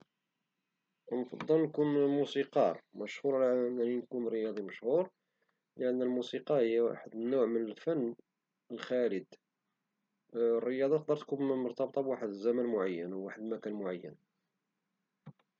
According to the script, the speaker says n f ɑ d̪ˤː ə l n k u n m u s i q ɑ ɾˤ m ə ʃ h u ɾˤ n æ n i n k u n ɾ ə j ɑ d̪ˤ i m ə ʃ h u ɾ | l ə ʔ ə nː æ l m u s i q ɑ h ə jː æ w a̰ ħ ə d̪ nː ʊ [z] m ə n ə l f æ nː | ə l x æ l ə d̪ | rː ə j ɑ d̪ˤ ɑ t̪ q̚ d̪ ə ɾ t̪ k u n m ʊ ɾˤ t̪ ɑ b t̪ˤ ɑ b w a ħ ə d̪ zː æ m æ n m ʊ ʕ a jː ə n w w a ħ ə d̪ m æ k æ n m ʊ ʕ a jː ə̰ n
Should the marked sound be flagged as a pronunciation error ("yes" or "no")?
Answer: yes